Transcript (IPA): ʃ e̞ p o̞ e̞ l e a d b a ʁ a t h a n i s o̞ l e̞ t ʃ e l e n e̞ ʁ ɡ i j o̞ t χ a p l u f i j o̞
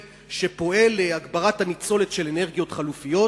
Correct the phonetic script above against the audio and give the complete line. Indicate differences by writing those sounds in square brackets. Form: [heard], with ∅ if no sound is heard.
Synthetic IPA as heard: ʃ e̞ p o̞ e̞ l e a [ɡ] b a ʁ a t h a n i [t͡s] o̞ l e̞ t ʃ e l e n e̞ ʁ ɡ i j o̞ t χ a [∅] l u f i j o̞